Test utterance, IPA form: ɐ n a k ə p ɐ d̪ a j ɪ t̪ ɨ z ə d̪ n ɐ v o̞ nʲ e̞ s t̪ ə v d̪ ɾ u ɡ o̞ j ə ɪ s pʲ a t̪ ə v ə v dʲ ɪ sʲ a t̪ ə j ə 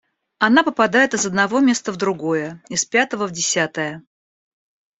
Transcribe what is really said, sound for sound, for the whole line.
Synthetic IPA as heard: ɐ n a p ə p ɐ d̪ a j ɪ t̪ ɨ z ə d̪ n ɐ v o̞ mʲ e̞ s t̪ ə v d̪ ɾ ʊ ɡ o̞ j ə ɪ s pʲ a t̪ ə v ə v dʲ ɪ sʲ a t̪ ə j ə